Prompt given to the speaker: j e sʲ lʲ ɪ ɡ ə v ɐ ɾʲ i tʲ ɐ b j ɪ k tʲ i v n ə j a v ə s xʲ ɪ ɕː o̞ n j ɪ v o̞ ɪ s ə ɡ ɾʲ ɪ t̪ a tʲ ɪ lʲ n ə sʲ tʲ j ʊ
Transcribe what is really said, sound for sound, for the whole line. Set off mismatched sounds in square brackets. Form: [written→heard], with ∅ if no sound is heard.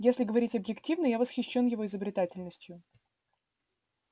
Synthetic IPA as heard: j e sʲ lʲ ɪ ɡ ə v ɐ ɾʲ i tʲ ɐ b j ɪ k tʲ i v n ə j a v ə s xʲ ɪ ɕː o̞ n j ɪ v o̞ ɪ [s→z] ə [ɡ→b] ɾʲ ɪ t̪ a tʲ ɪ lʲ n ə sʲ tʲ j ʊ